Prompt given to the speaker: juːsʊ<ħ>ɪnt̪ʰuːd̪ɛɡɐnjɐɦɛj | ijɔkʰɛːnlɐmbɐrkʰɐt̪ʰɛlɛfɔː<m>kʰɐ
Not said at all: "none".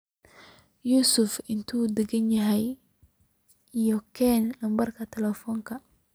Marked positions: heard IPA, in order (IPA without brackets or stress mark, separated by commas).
f, ŋ